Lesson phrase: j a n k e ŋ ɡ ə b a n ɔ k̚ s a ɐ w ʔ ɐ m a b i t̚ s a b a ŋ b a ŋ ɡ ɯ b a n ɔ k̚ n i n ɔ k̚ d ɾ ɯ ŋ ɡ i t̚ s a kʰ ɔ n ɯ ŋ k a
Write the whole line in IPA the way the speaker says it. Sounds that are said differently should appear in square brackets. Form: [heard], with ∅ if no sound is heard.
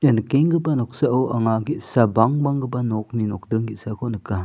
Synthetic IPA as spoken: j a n k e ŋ ɡ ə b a n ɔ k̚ s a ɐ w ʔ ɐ [ŋ] a [ɡ] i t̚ s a b a ŋ b a ŋ ɡ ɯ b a n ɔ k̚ n i n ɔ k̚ d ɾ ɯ ŋ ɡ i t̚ s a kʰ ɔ n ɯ [∅] k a